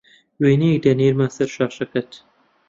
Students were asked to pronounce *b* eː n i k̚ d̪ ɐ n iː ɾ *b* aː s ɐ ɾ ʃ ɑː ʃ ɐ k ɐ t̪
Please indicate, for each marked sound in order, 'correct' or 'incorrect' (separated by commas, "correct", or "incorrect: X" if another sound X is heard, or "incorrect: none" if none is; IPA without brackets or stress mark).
incorrect: w, incorrect: m